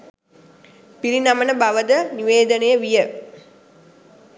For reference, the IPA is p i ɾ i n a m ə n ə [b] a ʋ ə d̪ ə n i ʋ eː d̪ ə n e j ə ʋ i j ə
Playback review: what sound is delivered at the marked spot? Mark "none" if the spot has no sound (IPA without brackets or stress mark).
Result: b